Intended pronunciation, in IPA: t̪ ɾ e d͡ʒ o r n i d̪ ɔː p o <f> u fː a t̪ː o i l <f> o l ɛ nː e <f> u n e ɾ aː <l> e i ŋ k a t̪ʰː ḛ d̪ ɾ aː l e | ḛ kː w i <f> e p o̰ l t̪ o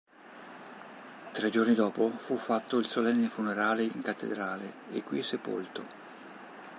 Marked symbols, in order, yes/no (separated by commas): yes, no, yes, yes, no